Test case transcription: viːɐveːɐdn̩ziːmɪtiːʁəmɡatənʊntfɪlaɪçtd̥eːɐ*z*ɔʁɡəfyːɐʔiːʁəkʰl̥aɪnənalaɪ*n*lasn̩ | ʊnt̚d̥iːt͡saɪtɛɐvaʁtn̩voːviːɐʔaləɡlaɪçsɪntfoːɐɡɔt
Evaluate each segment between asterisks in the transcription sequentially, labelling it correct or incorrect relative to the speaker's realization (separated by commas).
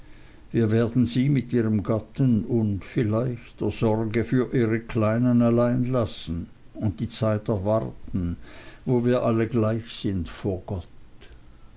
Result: correct, correct